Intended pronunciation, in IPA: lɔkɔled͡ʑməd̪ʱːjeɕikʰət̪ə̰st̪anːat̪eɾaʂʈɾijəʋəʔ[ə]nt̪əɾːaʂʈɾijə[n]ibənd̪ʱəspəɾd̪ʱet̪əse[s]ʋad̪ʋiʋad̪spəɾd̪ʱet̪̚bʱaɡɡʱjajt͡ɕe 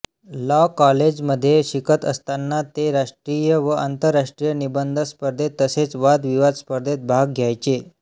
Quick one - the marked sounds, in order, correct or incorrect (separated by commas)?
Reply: incorrect, correct, incorrect